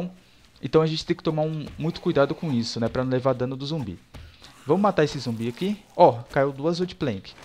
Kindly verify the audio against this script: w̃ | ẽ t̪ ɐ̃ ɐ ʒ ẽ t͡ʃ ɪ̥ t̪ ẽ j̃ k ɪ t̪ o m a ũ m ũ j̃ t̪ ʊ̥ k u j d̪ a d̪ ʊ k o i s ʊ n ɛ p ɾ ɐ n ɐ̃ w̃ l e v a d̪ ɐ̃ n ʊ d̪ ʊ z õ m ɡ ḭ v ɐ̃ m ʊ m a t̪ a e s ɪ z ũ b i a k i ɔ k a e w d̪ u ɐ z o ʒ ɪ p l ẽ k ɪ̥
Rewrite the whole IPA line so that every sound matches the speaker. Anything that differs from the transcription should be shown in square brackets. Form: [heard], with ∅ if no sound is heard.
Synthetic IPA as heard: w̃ | ẽ t̪ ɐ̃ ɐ ʒ ẽ t͡ʃ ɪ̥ t̪ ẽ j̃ k ɪ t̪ o m a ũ m ũ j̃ t̪ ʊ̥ k u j d̪ a d̪ ʊ k [õ] i s ʊ n ɛ p ɾ ɐ n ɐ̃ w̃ l e v a d̪ ɐ̃ n ʊ d̪ ʊ z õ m [b] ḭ v ɐ̃ m ʊ m a t̪ a e s ɪ z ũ b i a k i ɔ k a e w d̪ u ɐ z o [d͡ʒ] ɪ p l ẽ k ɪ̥